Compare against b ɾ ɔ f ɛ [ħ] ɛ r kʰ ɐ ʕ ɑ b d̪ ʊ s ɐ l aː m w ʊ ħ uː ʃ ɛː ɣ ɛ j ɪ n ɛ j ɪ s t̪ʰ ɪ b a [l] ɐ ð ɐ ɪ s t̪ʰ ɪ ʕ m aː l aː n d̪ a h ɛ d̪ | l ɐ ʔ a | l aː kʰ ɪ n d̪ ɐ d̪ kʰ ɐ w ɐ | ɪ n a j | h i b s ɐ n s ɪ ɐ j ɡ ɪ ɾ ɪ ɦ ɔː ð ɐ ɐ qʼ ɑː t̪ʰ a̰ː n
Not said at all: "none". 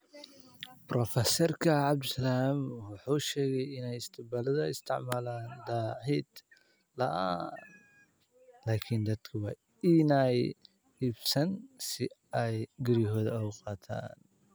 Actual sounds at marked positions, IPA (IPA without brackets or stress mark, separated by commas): s, l